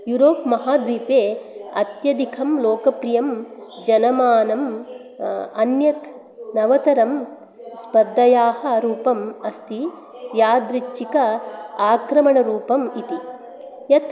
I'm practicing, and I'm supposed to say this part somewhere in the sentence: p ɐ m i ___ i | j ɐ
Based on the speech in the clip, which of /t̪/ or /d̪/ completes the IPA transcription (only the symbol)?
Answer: t̪